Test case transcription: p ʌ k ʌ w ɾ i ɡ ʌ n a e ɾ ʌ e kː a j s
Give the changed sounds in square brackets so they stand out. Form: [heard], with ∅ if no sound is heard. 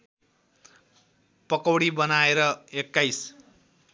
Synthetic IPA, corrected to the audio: p ʌ k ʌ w [ɽ] i [b] ʌ n a e ɾ ʌ e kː a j s